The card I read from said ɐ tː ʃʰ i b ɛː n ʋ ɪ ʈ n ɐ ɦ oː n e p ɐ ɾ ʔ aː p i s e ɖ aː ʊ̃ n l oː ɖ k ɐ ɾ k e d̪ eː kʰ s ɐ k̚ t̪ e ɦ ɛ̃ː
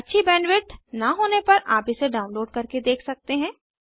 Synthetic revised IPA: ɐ tː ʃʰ i b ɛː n ʋ ɪ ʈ n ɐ ɦ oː n e p ɐ ɾ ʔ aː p i s e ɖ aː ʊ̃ n l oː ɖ k ɐ ɾ k e d̪ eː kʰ s ɐ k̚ t̪ e ɦ ɛ̃ː